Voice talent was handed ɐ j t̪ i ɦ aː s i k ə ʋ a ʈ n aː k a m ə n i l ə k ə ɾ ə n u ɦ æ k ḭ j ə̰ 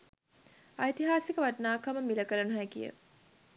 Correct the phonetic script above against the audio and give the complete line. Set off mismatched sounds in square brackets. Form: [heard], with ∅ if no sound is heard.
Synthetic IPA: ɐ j t̪ i ɦ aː s i k ə ʋ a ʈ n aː k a m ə [m] i l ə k ə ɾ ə n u ɦ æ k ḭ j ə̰